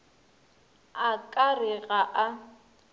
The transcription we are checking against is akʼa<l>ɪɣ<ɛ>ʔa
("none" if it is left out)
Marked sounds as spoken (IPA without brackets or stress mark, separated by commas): r, a